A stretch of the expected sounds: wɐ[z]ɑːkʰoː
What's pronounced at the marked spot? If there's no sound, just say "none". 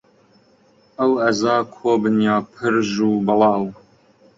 z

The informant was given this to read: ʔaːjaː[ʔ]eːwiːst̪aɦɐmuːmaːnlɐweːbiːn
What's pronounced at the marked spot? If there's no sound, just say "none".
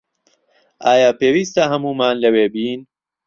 p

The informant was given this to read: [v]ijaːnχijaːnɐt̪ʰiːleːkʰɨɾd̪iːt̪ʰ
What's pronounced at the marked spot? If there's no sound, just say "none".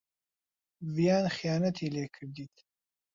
v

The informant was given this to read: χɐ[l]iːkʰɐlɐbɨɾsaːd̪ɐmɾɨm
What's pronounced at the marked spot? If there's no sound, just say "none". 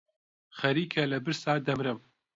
ɾ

